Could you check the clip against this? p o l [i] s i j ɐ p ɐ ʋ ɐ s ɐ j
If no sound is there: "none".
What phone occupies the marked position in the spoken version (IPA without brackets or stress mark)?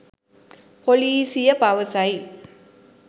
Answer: iː